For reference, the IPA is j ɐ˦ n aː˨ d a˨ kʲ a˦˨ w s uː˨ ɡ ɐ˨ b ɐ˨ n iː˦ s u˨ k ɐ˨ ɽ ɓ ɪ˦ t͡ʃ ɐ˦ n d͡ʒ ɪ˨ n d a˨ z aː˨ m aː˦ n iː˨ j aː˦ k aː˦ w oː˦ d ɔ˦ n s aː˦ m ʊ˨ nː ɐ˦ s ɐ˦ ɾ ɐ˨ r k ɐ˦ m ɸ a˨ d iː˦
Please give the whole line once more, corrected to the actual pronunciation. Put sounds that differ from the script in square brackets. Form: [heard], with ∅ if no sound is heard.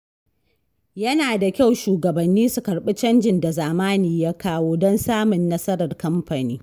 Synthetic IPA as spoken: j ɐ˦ n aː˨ d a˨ kʲ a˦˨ w [ʃ] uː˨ ɡ ɐ˨ b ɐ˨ [nː] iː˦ s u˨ k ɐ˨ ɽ ɓ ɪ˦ t͡ʃ ɐ˦ n d͡ʒ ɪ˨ n d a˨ z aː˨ m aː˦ n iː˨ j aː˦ k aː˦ w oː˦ d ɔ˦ n s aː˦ m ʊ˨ nː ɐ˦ s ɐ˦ ɾ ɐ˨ r k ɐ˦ m ɸ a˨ [n] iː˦